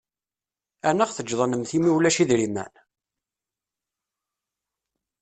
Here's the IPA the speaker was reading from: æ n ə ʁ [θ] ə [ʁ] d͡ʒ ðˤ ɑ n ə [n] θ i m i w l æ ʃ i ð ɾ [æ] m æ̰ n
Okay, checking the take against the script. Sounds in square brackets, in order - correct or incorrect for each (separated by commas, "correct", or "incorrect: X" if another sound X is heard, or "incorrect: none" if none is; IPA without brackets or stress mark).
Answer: correct, incorrect: none, incorrect: m, incorrect: i